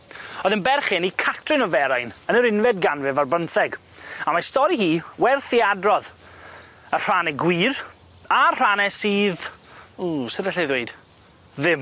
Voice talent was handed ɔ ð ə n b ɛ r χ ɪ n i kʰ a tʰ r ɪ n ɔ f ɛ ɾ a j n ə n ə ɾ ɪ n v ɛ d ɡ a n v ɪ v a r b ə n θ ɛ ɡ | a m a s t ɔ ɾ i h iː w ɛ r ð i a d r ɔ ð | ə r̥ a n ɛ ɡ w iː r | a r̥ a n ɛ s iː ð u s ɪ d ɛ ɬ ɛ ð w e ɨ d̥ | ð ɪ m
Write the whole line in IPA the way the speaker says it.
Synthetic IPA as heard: ɔ ð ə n b ɛ r χ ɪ n i kʰ a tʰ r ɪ n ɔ v ɛ ɾ a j n ə n ə ɾ ɪ n v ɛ d ɡ a n v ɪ v a r b ə n θ ɛ ɡ | a m a s t ɔ ɾ i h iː w ɛ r θ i a d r ɔ ð | ə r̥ a n ɛ ɡ w iː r | a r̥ a n ɛ s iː ð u s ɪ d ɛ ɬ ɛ ð w e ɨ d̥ | ð ɪ m